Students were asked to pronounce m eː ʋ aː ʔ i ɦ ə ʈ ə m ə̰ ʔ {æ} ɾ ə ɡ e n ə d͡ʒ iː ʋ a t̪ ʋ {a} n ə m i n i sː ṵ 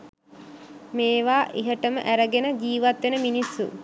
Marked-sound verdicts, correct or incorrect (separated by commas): correct, incorrect